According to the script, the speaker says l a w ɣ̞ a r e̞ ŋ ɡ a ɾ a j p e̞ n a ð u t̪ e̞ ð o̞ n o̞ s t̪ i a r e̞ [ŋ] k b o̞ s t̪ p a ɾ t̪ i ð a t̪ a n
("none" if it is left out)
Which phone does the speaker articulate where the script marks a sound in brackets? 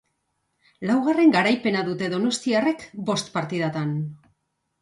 none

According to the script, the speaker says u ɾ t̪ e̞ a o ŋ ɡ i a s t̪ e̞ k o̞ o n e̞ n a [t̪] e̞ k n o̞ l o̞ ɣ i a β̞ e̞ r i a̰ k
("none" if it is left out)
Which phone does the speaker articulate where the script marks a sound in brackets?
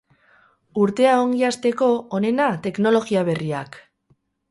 t̪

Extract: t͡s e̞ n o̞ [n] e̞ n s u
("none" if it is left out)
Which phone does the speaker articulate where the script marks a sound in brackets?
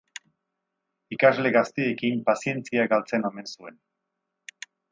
m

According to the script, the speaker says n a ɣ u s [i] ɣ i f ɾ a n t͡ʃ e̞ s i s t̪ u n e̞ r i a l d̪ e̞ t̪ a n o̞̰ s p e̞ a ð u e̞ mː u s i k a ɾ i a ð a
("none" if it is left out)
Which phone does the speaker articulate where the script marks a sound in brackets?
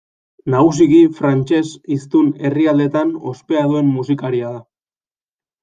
i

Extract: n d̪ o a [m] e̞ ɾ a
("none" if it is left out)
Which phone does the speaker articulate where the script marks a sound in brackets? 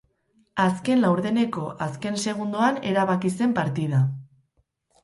n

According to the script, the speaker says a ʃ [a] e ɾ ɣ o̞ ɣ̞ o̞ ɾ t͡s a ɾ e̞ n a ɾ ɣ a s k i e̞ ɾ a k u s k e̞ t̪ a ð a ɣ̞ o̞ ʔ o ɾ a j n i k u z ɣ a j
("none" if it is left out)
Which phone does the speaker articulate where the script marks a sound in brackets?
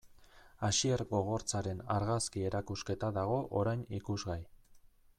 i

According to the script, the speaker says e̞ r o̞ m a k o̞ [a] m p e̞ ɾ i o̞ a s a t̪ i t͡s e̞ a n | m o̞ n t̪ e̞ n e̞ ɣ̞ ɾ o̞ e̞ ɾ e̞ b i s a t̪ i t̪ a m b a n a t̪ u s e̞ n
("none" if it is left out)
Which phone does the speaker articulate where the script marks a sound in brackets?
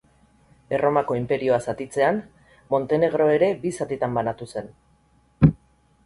i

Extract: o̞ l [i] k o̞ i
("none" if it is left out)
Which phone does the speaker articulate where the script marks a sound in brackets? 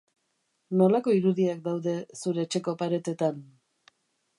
a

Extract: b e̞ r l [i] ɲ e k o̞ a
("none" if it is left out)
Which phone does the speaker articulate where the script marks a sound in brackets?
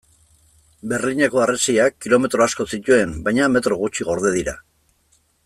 i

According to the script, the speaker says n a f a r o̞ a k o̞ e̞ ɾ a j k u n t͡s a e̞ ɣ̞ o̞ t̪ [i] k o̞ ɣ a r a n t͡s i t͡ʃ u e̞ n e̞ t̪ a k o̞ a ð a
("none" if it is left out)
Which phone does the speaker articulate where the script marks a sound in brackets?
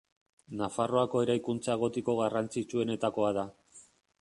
i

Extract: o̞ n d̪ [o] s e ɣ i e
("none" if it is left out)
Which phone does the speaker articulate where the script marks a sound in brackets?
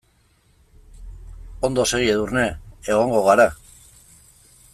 o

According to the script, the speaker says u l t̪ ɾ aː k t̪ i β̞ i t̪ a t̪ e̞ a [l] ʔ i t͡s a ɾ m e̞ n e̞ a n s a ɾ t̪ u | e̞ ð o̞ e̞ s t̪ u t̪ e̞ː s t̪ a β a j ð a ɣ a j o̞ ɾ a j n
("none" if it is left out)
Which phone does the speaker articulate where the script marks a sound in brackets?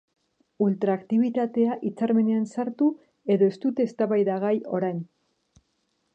none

